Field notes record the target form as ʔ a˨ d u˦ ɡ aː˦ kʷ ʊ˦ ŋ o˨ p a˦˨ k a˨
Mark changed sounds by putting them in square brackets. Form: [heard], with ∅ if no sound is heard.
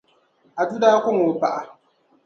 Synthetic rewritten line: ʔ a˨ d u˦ [d] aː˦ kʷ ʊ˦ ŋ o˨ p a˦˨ [ʔ] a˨